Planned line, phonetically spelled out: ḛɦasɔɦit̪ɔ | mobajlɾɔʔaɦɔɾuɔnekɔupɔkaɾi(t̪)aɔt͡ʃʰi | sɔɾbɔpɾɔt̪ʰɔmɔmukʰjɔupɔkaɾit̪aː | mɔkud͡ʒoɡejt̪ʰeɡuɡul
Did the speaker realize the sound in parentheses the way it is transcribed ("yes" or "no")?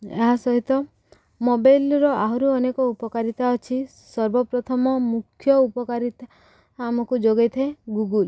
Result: yes